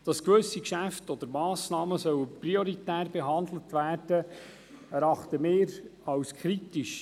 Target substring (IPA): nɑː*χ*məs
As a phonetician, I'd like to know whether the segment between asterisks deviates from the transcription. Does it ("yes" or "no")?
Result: yes